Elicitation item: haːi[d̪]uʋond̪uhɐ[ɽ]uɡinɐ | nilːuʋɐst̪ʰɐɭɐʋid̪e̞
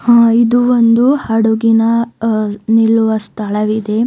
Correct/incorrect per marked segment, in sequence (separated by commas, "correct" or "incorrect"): correct, correct